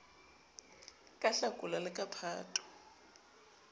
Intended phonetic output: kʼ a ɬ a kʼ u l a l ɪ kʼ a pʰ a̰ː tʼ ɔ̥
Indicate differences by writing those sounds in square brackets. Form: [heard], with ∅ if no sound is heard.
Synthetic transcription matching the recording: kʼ a ɬ a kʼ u l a l ɪ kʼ a pʰ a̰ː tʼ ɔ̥